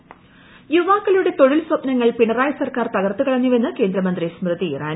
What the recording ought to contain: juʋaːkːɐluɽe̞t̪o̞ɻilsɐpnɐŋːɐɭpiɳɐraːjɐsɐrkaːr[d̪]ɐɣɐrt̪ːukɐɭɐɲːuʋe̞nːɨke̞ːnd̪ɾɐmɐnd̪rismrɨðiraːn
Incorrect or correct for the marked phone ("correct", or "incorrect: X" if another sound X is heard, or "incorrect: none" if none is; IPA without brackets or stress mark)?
incorrect: t̪